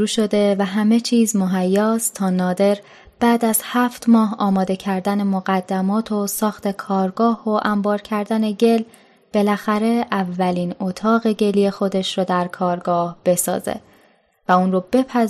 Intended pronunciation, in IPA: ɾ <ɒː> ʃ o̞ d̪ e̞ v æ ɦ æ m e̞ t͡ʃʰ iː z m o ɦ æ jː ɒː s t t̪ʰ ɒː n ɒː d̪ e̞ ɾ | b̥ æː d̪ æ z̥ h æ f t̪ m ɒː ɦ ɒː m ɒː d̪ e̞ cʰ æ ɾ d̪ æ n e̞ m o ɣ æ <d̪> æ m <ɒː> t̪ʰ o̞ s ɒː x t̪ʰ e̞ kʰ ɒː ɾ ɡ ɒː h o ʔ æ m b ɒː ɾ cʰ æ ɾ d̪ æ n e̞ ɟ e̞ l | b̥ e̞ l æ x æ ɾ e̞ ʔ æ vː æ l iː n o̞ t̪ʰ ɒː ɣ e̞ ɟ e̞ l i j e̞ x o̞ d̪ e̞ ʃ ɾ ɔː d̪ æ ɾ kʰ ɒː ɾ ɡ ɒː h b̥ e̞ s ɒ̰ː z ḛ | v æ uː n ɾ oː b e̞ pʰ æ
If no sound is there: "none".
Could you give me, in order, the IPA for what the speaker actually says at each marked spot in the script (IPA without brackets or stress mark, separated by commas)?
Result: uː, d̪ː, ɒː